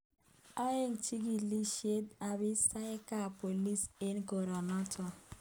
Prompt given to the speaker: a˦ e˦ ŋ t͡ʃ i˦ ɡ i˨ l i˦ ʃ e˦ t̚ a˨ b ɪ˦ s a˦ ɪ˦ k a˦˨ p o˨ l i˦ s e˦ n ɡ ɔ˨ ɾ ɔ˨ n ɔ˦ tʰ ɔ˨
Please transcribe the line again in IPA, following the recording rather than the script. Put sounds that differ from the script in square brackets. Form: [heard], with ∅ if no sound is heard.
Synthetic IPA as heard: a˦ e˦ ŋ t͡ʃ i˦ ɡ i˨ l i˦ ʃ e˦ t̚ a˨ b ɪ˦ s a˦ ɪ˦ k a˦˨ p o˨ l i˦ s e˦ n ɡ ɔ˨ ɾ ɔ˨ n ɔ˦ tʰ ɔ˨

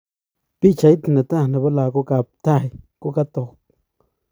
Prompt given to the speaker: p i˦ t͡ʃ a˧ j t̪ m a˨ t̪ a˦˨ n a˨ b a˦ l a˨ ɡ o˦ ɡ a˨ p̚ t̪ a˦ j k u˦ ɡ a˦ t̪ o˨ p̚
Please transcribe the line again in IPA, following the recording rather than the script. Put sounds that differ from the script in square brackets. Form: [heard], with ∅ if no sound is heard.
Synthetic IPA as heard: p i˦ t͡ʃ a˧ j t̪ [n] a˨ t̪ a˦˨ n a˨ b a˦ l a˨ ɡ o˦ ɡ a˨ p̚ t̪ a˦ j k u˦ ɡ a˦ t̪ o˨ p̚

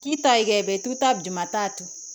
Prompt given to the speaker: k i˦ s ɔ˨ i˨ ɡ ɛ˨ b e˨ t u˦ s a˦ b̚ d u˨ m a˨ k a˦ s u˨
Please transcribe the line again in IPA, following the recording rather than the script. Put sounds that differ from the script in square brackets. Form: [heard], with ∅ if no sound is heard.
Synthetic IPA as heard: k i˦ [t] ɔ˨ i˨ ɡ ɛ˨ b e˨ t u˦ [t] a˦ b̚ [d͡ʒ] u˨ m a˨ [t] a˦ [t] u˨

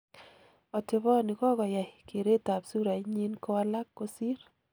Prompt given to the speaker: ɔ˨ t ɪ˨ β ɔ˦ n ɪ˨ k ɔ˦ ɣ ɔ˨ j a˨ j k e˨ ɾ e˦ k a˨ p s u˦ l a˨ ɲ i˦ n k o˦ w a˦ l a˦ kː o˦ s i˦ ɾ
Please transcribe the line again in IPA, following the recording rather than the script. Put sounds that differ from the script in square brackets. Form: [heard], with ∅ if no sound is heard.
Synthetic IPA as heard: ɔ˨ t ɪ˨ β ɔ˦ n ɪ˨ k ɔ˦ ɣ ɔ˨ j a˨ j k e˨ ɾ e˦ [t] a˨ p s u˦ [ɾ] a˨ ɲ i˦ n k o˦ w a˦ l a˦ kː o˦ s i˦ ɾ

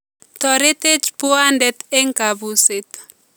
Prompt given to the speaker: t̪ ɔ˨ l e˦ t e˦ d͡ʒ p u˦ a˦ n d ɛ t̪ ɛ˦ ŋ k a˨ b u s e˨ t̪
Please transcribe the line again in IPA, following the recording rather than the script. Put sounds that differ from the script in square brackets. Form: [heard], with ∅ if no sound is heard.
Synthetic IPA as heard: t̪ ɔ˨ [ɾ] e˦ t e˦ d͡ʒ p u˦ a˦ n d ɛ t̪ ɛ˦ ŋ k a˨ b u s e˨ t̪

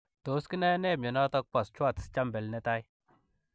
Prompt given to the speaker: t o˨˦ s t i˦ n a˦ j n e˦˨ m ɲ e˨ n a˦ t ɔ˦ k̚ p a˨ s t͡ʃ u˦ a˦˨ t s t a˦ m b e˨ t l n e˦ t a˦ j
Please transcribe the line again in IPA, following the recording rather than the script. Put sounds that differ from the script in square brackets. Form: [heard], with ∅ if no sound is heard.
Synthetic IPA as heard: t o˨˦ s [k] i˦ n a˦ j n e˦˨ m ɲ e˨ n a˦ t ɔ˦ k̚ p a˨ s t͡ʃ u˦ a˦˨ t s [t͡ʃ] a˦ m b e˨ [∅] l n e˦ t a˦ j

